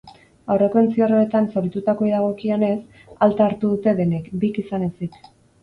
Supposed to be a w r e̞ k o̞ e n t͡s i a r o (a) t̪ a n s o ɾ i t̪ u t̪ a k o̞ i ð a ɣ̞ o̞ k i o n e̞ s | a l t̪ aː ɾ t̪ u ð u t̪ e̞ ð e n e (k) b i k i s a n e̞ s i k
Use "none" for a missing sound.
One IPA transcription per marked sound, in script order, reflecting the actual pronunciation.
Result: e, k

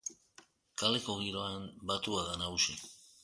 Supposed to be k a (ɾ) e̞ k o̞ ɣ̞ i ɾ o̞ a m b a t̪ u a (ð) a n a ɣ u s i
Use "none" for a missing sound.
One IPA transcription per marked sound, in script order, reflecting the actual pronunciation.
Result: l, ð

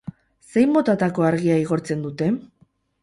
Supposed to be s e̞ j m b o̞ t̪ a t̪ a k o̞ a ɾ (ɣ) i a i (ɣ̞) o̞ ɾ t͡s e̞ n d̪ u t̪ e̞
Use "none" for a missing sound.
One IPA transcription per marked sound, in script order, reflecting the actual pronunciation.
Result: ɣ, ɣ̞

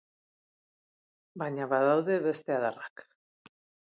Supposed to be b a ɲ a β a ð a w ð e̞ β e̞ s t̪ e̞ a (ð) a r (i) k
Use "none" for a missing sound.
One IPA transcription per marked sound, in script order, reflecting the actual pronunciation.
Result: ð, a

